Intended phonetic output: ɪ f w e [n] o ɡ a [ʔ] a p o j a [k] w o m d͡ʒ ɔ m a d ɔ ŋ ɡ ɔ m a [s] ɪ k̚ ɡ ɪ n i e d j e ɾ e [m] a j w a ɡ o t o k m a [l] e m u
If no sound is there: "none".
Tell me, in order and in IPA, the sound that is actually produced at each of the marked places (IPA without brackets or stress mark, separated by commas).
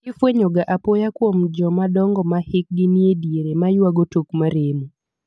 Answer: ɲ, ʔ, k, h, m, ɾ